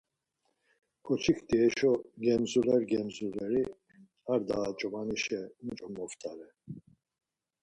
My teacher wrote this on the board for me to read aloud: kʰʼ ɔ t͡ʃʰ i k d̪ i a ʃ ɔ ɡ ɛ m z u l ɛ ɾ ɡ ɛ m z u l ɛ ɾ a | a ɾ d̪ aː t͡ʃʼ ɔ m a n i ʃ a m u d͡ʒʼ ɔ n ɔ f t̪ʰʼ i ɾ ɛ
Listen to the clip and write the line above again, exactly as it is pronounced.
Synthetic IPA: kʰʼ ɔ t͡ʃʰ i k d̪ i ɛ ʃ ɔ ɡ ɛ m z u l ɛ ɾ ɡ ɛ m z u l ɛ ɾ i | a ɾ d̪ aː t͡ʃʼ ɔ m a n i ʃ ɛ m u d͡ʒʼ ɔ m ɔ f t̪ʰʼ a ɾ ɛ